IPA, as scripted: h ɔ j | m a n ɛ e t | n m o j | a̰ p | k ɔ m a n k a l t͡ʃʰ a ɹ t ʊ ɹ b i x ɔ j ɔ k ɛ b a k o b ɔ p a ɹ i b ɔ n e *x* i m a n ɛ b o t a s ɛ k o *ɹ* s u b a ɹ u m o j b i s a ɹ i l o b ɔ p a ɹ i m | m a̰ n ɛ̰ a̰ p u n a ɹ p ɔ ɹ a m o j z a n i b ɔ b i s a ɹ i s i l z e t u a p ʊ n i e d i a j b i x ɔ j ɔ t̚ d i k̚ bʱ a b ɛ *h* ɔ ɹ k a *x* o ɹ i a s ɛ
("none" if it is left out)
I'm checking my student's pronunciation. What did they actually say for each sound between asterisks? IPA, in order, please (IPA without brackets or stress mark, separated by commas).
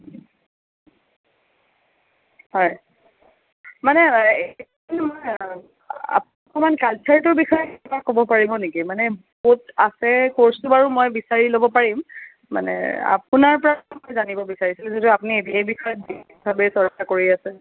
k, ɹ, s, k